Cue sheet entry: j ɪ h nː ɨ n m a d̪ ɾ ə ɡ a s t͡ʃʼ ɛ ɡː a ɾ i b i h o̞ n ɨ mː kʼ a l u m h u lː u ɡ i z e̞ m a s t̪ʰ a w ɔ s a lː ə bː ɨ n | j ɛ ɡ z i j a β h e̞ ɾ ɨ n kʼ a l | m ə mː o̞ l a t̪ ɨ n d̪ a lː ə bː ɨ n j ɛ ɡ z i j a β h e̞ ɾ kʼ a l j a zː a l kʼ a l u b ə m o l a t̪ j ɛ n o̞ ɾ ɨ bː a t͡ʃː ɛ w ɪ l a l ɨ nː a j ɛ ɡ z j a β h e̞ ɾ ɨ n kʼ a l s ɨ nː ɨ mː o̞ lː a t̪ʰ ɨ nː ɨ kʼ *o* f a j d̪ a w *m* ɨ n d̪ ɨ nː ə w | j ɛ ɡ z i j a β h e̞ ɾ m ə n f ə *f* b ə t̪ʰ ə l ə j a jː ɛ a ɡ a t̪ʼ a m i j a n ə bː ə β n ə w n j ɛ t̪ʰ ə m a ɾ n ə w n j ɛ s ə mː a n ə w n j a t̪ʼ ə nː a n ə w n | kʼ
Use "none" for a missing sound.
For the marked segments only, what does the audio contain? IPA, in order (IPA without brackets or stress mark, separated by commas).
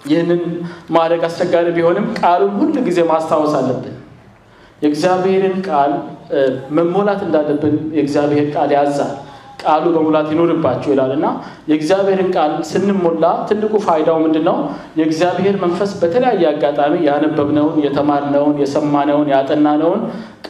u, m, s